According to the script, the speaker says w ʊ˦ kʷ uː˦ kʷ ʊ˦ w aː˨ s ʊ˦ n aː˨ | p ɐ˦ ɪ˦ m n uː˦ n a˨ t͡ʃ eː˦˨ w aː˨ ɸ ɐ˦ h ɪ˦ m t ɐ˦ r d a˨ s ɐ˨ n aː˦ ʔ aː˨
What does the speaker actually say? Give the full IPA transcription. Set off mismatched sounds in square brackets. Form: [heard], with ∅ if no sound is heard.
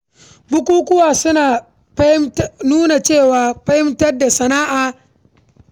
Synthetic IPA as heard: [b] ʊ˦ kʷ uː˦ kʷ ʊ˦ w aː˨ s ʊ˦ n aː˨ | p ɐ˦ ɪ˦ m n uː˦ n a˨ t͡ʃ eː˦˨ w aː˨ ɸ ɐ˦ h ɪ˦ m t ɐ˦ r d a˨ s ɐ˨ n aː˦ ʔ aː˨

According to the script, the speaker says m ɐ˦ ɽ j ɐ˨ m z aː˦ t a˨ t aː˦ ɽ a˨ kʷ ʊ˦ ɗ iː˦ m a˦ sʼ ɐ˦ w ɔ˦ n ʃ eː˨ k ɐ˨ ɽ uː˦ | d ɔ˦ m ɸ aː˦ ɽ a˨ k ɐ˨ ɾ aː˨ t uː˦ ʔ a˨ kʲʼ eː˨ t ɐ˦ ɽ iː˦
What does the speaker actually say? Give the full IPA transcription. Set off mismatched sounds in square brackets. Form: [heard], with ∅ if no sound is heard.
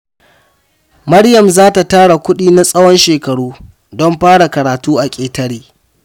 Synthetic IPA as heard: m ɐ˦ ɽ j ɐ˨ m z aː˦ t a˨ t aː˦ ɽ a˨ kʷ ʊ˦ ɗ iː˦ [n] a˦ sʼ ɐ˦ w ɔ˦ n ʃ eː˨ k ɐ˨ ɽ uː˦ | d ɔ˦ m ɸ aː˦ ɽ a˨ k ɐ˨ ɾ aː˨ t uː˦ ʔ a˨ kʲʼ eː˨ t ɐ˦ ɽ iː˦

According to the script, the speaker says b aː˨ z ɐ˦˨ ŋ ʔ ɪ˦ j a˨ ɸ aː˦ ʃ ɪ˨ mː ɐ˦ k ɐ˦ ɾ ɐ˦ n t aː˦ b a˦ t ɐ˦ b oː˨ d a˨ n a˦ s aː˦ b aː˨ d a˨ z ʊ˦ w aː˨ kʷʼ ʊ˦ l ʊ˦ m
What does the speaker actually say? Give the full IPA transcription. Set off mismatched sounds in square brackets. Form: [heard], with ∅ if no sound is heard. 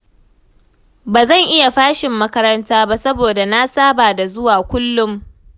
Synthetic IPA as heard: b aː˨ z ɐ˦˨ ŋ ʔ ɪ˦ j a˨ ɸ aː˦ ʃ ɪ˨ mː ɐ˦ k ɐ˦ ɾ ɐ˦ n t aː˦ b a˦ [s] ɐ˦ b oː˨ d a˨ n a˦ s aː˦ b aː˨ d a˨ z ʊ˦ w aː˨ [kʷ] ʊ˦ [lː] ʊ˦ m

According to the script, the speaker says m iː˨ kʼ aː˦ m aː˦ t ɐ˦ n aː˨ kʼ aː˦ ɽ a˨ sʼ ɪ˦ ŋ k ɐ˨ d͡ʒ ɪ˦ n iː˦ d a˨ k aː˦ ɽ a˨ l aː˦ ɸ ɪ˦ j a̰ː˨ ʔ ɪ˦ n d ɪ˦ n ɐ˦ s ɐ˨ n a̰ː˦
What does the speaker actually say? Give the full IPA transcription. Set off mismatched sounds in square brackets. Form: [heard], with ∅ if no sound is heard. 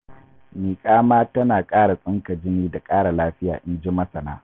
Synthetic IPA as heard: m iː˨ kʼ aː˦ m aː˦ t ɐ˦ n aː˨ kʼ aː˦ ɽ a˨ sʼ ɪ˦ ŋ k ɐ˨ d͡ʒ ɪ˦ n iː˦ d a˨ [kʼ] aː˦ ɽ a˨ l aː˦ ɸ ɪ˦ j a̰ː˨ ʔ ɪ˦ n [d͡ʒ] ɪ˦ [m] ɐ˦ s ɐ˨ n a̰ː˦

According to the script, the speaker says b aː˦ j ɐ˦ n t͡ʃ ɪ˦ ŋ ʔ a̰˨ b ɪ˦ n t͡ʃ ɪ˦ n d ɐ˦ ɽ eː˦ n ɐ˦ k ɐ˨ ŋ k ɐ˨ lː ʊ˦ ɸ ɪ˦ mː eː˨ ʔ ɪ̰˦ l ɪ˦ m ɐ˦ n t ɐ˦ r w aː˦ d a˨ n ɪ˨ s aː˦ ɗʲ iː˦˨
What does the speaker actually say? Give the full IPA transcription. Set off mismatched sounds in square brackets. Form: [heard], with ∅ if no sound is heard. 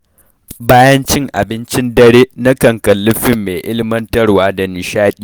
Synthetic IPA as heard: b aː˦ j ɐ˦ n t͡ʃ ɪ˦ ŋ ʔ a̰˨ b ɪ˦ n t͡ʃ ɪ˦ n d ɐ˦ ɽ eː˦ n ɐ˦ k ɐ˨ ŋ k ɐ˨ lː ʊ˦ ɸ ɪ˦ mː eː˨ ʔ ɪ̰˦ l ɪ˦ m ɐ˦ n t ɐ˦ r w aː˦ d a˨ n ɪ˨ [ʃ] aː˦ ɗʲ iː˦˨

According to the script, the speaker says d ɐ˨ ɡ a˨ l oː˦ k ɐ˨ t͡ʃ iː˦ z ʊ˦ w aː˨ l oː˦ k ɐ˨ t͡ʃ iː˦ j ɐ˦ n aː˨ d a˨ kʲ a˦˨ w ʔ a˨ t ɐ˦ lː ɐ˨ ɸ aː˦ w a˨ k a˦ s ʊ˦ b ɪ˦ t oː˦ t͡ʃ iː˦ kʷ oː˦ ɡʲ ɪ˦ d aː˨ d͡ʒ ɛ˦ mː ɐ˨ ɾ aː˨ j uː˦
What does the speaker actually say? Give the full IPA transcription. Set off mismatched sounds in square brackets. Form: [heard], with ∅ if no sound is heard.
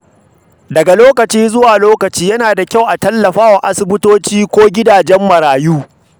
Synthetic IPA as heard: d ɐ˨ ɡ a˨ l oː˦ k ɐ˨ t͡ʃ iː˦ z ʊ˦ w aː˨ l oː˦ k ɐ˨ t͡ʃ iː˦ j ɐ˦ n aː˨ d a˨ kʲ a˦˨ w ʔ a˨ t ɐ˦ lː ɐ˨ ɸ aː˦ w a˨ [ʔ] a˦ s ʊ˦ b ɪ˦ t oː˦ t͡ʃ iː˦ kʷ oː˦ ɡʲ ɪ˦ d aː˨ d͡ʒ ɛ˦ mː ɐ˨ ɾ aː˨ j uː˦

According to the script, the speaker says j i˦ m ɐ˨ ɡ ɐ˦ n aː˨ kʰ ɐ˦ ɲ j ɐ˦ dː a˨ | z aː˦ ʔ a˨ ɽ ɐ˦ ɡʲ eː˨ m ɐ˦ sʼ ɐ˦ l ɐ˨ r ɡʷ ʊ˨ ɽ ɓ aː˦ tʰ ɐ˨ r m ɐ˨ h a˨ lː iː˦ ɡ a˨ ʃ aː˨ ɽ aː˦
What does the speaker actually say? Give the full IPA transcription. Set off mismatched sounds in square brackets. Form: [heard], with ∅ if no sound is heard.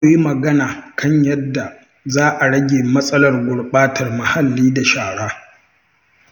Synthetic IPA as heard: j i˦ m ɐ˨ ɡ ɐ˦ n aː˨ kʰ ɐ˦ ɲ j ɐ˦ dː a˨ | z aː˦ ʔ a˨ ɽ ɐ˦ ɡʲ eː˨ m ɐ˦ sʼ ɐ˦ l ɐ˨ r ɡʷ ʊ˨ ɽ ɓ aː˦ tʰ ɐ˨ r m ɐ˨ h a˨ lː iː˦ [d] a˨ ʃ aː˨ ɽ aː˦

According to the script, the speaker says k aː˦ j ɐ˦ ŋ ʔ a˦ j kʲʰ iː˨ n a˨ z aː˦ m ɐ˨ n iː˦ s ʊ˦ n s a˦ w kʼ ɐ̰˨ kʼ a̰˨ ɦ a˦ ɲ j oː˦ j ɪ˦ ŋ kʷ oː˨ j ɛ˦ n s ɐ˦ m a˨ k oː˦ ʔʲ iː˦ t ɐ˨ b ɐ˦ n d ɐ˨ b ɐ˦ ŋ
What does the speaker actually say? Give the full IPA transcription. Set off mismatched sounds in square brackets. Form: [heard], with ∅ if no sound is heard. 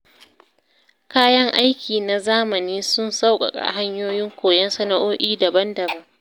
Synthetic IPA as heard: k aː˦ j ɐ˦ ŋ ʔ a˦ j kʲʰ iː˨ n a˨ z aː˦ m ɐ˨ n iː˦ s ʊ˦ n s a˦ w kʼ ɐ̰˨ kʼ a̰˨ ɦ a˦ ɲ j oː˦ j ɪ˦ ŋ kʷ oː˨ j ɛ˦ n s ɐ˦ [n] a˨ [ʔ] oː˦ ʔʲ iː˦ [d] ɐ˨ b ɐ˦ n d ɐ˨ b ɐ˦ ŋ

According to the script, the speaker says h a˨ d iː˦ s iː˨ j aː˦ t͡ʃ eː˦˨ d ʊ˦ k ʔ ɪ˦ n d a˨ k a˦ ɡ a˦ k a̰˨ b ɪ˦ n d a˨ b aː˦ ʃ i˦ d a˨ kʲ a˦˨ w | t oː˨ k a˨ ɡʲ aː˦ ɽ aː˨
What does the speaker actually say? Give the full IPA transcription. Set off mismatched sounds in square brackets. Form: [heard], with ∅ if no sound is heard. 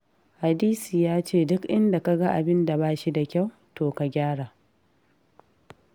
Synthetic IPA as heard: h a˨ d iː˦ s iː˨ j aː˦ t͡ʃ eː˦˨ d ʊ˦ k ʔ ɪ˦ n d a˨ k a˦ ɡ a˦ [ʔ] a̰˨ b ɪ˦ n d a˨ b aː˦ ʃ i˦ d a˨ kʲ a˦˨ w | t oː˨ k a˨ ɡʲ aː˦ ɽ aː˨

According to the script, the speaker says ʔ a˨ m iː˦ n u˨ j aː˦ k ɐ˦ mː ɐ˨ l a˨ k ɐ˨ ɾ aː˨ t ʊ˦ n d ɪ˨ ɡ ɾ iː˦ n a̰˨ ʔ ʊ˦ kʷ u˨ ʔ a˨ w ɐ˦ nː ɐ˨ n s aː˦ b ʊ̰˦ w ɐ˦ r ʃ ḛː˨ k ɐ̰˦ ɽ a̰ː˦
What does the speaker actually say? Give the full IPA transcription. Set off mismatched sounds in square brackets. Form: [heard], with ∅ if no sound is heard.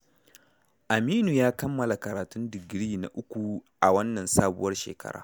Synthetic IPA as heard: ʔ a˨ m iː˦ n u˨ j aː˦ k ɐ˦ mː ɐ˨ l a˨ k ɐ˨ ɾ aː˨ t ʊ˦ n d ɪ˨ ɡ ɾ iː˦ n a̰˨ ʔ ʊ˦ kʷ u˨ ʔ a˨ w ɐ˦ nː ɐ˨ n s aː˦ b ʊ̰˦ w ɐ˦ r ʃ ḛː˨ k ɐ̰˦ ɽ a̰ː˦

